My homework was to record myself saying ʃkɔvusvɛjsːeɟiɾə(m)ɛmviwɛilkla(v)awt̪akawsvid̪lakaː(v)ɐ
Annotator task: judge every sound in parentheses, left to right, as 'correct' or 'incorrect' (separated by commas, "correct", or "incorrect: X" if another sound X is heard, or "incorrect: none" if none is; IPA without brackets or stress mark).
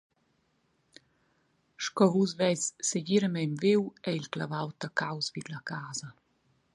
correct, correct, incorrect: z